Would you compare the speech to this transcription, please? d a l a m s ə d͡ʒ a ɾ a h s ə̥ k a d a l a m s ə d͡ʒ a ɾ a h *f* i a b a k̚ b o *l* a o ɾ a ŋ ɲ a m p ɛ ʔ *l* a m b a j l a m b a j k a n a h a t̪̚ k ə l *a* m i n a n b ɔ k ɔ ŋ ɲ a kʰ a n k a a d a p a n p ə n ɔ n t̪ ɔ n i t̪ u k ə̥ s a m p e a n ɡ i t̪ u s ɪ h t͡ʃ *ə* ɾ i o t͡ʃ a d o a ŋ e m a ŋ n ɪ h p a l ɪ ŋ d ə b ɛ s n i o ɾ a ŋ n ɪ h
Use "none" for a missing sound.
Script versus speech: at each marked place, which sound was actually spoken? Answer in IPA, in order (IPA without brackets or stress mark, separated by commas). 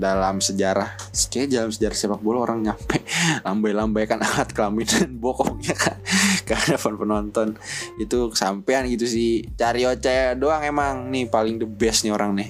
s, l, l, a, a